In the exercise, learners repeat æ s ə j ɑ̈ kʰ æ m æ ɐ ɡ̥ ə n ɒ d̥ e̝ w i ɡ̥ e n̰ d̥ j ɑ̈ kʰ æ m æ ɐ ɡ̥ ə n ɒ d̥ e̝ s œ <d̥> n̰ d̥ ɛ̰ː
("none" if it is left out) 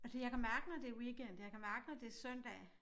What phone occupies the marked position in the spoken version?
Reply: none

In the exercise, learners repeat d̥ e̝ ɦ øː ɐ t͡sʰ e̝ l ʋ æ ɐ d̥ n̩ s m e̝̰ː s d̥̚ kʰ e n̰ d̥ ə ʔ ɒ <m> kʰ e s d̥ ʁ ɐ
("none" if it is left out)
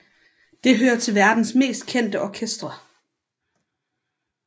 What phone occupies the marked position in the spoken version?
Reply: none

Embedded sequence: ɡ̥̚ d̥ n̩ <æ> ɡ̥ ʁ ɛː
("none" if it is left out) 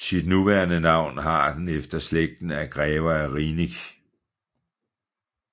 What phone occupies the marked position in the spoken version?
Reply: æ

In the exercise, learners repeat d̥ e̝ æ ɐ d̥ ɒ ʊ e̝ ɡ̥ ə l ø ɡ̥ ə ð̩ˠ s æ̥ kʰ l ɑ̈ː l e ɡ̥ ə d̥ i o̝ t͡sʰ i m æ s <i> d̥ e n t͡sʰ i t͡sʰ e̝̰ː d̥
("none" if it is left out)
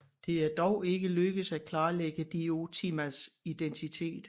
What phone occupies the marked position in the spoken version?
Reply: i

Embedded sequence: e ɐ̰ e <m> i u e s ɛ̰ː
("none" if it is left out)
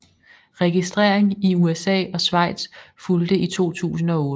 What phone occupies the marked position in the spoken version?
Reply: ŋ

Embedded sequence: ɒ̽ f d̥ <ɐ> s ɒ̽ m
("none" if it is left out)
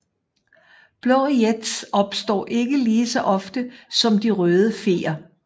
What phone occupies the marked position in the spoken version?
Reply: ə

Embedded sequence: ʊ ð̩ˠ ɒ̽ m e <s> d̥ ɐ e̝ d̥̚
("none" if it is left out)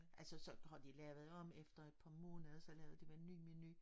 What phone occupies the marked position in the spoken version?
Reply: f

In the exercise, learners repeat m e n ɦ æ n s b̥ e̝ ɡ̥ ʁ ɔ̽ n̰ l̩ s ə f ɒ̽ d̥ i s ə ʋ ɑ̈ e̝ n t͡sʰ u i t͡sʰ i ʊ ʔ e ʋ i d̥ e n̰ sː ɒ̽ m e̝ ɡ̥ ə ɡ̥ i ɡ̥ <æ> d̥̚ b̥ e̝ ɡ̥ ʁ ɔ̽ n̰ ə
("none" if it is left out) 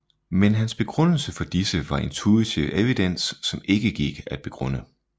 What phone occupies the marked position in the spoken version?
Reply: æ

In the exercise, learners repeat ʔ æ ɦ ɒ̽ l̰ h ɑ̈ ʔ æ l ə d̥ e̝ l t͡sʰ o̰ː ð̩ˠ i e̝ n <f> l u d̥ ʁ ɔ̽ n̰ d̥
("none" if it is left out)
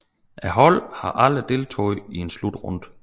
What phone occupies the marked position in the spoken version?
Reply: s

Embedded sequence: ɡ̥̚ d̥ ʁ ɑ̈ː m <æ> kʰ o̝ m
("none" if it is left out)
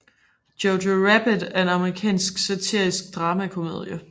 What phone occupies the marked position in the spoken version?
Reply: æ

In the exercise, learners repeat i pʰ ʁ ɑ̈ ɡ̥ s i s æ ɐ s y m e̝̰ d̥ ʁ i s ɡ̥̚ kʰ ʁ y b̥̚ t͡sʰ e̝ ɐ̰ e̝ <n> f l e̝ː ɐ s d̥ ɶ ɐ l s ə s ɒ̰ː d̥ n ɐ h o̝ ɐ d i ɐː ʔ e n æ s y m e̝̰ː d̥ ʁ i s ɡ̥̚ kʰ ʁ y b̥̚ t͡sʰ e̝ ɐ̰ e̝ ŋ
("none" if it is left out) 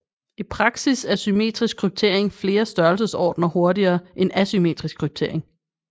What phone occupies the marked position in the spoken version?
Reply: ŋ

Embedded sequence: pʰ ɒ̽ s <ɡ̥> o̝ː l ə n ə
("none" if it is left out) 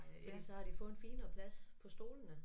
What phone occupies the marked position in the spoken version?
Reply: d̥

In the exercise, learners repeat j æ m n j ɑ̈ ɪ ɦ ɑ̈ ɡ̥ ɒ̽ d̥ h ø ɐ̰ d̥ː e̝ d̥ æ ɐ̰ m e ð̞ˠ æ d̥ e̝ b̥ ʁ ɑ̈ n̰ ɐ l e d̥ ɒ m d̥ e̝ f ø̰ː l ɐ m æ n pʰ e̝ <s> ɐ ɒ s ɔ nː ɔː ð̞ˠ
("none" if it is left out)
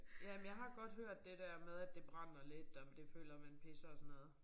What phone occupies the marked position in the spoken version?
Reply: s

